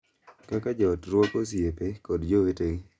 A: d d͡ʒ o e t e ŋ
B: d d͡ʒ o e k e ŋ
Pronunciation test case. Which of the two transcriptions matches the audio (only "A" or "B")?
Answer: A